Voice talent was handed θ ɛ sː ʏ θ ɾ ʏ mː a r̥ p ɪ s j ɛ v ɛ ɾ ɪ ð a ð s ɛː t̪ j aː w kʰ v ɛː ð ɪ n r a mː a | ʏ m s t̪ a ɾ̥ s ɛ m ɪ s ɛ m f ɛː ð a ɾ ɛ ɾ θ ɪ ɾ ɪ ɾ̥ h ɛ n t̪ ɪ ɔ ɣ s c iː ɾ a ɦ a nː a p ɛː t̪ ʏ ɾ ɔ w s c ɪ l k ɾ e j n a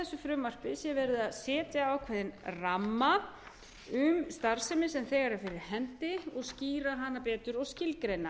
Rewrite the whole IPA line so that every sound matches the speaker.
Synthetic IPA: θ ɛ sː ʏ f ɾ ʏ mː a r̥ p ɪ s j ɛ v ɛ ɾ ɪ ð a ð s ɛː t̪ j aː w kʰ v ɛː ð ɪ n r a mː a | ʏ m s t̪ a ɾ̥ s ɛ m ɪ s ɛ m θ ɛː ɣ a ɾ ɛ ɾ f ɪ ɾ ɪ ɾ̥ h ɛ n t̪ ɪ ɔ ɣ s c iː ɾ a ɦ a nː a p ɛː t̪ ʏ ɾ ɔ ɣ s c ɪ l k ɾ e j n a